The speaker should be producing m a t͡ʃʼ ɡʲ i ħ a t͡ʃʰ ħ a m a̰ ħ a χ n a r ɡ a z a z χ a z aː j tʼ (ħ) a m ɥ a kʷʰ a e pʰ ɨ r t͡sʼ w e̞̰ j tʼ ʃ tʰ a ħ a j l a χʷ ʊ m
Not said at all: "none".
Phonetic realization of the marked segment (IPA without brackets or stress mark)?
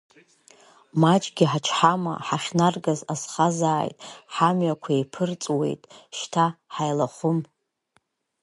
ħ